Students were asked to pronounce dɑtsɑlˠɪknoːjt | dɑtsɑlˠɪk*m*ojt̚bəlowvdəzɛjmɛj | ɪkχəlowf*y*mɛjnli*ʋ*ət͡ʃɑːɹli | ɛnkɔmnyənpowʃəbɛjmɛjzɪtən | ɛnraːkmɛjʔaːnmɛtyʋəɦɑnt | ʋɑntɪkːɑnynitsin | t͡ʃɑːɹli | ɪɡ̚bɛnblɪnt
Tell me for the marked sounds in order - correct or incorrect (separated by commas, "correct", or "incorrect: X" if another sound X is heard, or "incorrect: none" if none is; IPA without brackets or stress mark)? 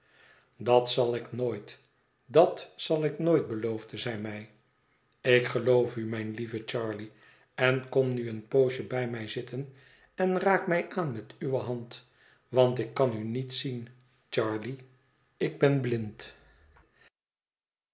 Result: incorrect: n, correct, incorrect: v